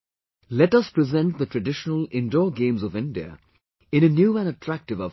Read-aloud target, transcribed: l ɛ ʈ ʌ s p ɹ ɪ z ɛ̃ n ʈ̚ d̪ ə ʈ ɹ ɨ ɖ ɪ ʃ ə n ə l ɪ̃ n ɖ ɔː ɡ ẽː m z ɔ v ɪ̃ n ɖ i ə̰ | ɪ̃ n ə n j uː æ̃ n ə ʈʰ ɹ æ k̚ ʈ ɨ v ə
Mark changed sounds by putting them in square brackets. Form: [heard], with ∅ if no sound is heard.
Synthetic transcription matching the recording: l ɛ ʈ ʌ s p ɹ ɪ z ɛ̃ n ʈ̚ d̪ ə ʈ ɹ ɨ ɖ ɪ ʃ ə n ə l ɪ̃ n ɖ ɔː ɡ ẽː m z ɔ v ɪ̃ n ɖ i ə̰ | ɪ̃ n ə n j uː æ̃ n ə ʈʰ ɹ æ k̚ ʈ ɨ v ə